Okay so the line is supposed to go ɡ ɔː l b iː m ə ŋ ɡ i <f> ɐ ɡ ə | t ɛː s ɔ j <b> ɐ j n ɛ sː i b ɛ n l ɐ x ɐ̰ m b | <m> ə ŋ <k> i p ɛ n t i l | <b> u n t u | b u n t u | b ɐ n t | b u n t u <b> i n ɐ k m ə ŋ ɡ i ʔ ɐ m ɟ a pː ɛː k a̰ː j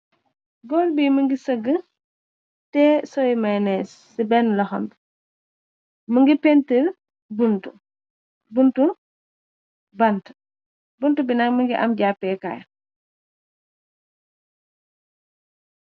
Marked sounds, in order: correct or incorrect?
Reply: incorrect, incorrect, correct, incorrect, correct, correct

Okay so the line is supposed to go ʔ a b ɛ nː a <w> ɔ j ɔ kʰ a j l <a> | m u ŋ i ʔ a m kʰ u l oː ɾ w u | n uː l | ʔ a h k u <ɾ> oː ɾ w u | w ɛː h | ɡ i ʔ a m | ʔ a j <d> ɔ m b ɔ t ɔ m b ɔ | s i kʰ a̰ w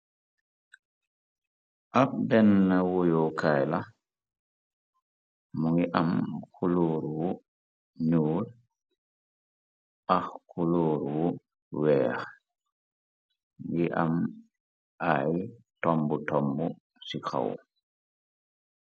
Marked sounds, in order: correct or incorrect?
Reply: correct, correct, incorrect, incorrect

